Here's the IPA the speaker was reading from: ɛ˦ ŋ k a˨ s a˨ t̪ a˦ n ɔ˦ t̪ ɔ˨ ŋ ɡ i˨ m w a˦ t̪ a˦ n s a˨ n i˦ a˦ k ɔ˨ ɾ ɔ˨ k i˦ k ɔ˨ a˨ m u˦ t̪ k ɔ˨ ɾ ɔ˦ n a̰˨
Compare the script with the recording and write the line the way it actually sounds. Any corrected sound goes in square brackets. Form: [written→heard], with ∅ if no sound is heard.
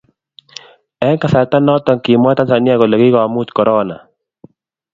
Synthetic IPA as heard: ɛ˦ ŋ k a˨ s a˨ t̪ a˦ n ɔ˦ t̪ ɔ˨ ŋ [ɡ→k] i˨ m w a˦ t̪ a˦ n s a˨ n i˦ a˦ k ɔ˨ [ɾ→l] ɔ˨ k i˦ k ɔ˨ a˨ m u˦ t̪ k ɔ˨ ɾ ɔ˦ n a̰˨